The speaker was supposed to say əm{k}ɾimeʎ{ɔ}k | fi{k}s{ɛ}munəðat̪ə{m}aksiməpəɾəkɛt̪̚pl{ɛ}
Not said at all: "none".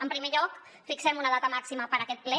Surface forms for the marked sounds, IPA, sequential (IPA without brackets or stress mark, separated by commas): p, ɔ, k, ɛ, m, ɛ